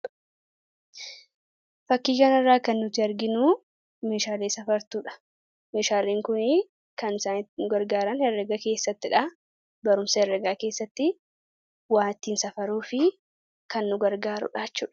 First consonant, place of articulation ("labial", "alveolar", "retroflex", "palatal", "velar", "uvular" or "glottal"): labial